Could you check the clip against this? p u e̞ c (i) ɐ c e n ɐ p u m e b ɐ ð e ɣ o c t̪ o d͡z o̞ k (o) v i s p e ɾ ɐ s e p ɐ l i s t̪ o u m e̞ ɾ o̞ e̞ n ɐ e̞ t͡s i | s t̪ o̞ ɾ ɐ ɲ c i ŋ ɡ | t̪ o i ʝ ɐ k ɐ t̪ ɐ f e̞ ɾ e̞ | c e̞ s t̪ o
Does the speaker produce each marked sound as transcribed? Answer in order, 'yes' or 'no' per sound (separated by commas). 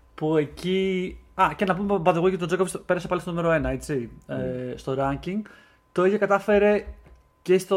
yes, yes